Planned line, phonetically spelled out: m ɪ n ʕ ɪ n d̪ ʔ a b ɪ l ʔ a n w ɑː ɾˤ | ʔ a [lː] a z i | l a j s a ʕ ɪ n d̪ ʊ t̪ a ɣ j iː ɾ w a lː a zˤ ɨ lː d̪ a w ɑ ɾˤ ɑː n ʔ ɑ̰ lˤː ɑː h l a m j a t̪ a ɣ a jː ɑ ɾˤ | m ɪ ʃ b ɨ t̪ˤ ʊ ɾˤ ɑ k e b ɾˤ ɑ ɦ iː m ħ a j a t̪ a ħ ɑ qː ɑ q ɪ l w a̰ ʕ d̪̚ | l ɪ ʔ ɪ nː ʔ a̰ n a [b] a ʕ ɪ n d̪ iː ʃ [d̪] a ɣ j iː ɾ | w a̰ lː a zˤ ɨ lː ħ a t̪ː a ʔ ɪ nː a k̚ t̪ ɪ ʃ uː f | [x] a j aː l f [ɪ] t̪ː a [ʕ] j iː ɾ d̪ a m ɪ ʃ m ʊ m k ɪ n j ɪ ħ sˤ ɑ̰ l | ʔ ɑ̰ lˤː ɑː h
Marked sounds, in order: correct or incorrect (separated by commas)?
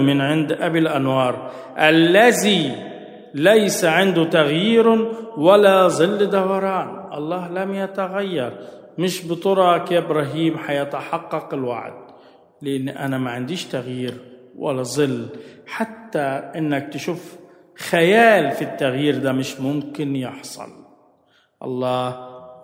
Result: correct, incorrect, incorrect, correct, incorrect, incorrect